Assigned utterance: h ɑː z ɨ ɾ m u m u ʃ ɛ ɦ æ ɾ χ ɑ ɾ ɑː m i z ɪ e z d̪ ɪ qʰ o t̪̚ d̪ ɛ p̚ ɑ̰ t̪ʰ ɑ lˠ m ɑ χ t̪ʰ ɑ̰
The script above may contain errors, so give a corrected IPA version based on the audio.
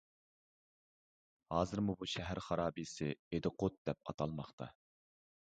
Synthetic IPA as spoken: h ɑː z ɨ ɾ m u b u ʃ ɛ ɦ æ ɾ χ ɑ ɾ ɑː b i s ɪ e d̪ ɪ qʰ o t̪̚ d̪ ɛ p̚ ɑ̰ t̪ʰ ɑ lˠ m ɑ χ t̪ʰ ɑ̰